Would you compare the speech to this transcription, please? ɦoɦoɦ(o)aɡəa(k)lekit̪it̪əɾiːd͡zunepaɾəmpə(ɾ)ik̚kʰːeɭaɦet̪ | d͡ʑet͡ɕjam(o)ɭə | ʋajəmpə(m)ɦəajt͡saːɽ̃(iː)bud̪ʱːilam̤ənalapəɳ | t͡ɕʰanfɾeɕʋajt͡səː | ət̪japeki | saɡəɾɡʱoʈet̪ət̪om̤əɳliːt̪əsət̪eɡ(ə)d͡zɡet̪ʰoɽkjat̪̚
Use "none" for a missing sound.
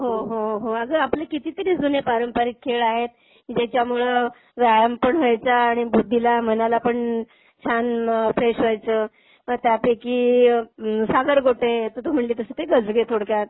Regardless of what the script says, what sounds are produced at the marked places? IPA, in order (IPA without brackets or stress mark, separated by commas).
o, p, ɾ, u, ɳ, i, ə